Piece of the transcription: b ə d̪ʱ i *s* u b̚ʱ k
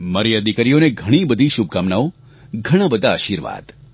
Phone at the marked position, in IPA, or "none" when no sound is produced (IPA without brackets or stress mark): ʃ